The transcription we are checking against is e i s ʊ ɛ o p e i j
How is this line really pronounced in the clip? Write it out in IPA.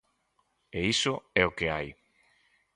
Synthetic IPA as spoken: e i s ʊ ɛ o k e a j